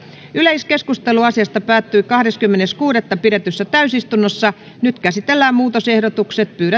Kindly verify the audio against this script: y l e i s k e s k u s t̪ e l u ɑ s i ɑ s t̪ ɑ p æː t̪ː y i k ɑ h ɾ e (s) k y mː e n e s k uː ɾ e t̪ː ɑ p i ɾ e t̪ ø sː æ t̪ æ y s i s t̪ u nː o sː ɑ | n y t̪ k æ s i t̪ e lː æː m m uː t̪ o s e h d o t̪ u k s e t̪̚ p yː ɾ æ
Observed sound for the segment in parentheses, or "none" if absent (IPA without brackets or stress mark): s